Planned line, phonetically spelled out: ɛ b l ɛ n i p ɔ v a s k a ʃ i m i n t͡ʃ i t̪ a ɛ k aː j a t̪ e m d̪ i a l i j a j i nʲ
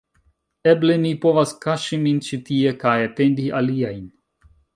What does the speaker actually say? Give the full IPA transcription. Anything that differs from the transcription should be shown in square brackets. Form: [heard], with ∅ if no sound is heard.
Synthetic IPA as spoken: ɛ b l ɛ n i p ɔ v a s k a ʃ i m i n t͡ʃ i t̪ [i] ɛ k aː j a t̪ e [n] d̪ i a l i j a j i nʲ